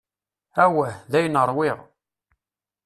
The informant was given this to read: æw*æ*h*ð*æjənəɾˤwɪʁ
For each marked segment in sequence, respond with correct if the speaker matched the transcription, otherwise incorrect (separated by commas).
correct, correct